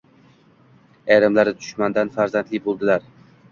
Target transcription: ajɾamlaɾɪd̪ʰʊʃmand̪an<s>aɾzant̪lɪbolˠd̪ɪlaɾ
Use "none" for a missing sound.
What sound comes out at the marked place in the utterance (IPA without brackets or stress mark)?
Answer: f